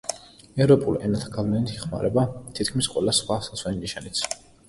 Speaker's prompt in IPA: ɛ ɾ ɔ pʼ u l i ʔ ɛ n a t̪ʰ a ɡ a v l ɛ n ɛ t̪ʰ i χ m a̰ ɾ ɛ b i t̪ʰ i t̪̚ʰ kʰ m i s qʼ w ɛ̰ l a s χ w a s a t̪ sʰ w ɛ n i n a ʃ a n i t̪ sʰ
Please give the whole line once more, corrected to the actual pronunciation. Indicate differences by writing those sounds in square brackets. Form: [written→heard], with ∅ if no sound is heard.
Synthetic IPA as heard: ɛ ɾ ɔ pʼ u l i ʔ ɛ n a t̪ʰ a ɡ a v l ɛ n [ɛ→i] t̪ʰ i χ m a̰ ɾ ɛ b [i→a] t̪ʰ i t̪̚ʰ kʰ m i s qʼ w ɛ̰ l a s χ w a s a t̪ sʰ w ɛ n i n [a→i] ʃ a n i t̪ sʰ